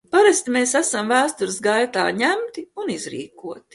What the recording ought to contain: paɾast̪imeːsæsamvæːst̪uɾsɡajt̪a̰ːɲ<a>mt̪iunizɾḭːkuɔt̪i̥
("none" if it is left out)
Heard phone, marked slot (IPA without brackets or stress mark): æ